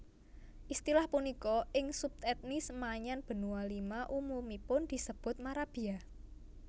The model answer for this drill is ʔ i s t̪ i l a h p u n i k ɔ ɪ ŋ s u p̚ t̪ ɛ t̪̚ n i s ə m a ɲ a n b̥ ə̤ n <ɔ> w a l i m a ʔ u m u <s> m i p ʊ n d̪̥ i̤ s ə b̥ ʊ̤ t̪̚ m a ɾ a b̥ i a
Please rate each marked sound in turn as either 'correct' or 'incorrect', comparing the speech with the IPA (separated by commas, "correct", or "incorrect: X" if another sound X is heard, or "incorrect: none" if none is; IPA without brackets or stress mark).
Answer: incorrect: u, incorrect: none